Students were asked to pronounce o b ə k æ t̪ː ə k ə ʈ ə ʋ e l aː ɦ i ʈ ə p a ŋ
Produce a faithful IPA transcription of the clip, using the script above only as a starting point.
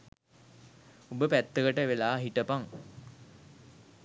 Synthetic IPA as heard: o b ə p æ t̪ː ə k ə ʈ ə ʋ e l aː ɦ i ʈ ə p a ŋ